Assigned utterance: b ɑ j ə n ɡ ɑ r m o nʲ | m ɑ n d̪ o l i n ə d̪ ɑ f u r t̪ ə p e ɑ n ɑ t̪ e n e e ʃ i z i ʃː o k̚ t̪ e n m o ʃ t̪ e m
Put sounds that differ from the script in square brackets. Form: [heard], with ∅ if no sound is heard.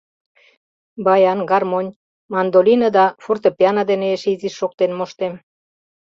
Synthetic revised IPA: b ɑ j [ɑ] n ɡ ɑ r m o nʲ | m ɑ n d̪ o l i n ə d̪ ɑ f u r t̪ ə p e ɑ n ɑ [d̪] e n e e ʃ i z i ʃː o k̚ t̪ e n m o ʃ t̪ e m